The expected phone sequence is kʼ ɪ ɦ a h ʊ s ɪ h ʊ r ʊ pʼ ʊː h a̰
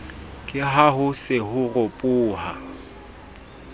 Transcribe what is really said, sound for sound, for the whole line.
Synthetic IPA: kʼ ɪ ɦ a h ʊ s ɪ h ʊ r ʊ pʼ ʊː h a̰